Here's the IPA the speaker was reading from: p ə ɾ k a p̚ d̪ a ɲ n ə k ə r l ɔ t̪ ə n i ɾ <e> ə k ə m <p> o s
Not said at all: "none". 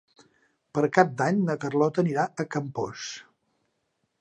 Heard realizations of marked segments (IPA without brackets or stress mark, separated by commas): a, p